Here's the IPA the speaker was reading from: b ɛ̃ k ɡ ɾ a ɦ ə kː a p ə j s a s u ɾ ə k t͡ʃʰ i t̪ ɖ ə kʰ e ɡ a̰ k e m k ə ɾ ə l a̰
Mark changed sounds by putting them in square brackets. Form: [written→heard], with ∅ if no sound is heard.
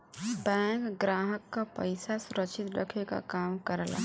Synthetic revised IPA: b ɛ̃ k ɡ ɾ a ɦ ə kː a p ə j s a s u ɾ ə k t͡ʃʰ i t̪ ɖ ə kʰ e [ɡ→k] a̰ k [e→a] m k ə ɾ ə l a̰